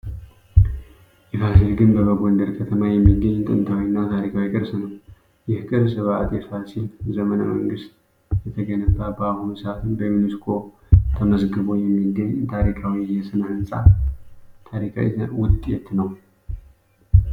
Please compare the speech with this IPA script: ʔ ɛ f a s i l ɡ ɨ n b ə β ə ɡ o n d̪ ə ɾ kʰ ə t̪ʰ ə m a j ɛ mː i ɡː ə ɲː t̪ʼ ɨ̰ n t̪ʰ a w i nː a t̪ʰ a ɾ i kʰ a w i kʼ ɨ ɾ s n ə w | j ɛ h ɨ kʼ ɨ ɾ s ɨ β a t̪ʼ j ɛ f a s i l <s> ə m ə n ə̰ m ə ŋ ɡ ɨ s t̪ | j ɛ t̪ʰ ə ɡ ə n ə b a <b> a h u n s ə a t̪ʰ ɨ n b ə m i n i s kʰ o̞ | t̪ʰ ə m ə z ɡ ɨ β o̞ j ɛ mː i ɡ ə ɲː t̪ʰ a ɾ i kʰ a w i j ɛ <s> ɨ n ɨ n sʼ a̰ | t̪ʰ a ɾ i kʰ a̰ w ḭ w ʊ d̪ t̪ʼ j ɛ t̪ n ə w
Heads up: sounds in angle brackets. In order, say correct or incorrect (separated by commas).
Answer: incorrect, correct, correct